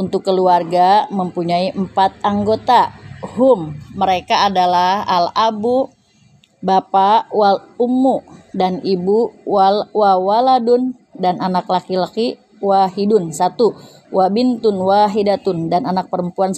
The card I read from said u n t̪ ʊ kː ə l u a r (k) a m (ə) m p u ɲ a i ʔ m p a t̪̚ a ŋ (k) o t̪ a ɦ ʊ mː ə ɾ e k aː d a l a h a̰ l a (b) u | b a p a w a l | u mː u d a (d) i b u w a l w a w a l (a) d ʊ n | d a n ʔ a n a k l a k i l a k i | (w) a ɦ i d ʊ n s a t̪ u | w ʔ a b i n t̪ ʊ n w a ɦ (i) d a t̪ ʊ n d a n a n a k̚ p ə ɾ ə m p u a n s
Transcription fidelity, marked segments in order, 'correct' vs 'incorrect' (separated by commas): incorrect, correct, incorrect, correct, incorrect, correct, correct, correct